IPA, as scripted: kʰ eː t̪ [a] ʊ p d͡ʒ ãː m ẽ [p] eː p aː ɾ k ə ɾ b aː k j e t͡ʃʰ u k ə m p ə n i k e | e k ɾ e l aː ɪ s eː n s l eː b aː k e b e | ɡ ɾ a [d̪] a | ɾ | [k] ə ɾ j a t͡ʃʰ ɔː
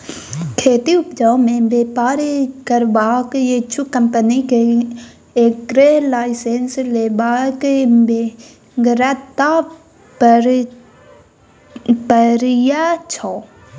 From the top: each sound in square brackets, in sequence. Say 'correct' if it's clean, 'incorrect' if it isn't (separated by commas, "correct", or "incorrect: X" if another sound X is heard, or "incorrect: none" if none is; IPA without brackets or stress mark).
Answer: incorrect: i, incorrect: b, incorrect: t̪, incorrect: p